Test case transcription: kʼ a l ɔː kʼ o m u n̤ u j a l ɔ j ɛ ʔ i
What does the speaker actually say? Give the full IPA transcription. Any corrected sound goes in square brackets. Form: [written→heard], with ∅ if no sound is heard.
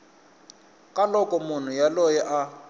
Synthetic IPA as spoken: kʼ a l [ɔː→ɔ] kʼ [o→ɔ] m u n̤ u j a l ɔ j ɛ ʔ [i→a]